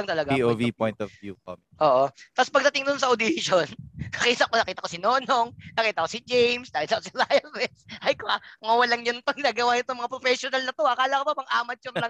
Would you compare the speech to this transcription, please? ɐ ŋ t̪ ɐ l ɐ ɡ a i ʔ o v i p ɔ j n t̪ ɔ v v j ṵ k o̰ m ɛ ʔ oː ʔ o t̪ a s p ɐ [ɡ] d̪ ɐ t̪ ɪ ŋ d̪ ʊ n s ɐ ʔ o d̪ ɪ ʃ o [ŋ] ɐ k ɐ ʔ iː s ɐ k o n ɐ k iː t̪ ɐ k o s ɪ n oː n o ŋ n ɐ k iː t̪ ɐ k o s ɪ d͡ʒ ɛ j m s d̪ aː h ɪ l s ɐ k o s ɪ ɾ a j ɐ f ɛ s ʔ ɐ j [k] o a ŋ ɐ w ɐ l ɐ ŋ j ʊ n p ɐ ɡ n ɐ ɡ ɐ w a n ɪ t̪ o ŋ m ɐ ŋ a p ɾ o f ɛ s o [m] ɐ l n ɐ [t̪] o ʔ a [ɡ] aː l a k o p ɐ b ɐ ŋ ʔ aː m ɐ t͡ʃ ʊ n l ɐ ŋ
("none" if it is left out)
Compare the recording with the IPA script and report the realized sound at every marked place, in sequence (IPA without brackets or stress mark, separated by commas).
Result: ɡ, n, k, n, t̪, k